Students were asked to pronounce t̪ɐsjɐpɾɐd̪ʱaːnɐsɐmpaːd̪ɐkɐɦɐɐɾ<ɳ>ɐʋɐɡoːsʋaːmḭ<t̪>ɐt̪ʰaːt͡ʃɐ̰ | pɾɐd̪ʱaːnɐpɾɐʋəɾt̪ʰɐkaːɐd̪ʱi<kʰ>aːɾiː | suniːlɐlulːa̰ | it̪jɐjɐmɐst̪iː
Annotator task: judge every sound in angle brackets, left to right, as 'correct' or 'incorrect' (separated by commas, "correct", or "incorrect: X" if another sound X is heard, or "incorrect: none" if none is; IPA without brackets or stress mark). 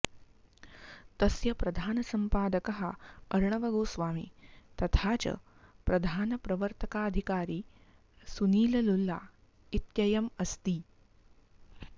correct, correct, incorrect: k